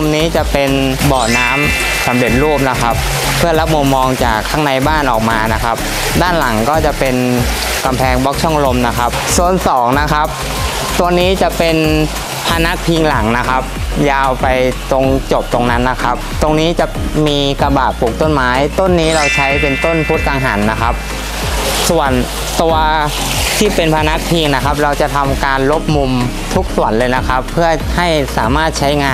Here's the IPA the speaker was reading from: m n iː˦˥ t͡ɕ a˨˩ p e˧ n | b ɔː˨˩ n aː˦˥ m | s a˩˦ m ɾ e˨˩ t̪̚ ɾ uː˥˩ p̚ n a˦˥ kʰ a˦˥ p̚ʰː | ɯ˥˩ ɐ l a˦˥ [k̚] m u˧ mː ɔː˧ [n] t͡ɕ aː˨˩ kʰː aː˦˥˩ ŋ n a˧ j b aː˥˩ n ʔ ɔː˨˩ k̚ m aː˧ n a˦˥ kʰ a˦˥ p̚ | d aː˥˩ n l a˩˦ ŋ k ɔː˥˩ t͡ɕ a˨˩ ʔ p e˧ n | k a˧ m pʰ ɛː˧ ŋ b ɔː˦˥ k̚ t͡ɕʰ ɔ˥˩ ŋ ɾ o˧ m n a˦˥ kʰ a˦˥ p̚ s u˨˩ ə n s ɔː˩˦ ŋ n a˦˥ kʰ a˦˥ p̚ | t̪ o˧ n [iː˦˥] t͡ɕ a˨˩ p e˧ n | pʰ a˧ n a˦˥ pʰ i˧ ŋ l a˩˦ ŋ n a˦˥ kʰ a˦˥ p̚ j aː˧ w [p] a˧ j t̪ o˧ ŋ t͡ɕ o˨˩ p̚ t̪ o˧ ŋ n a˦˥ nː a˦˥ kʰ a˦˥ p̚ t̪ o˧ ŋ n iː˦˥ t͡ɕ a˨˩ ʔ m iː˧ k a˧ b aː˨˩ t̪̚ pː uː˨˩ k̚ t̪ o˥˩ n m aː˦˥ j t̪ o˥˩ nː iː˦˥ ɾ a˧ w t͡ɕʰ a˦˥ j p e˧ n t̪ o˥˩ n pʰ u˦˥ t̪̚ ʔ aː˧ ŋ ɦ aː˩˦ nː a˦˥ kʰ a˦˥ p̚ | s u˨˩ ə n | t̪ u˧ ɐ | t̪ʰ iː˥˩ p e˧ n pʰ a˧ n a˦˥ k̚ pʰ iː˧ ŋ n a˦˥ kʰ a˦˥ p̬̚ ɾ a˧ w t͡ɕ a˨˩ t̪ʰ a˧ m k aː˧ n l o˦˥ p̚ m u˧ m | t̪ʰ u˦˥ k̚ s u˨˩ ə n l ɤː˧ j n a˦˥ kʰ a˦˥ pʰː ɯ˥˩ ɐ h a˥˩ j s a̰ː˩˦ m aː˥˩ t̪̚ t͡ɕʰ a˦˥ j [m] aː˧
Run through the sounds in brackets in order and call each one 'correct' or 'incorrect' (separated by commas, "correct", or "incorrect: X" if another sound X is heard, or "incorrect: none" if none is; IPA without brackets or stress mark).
incorrect: p̚, incorrect: ŋ, correct, correct, incorrect: ŋ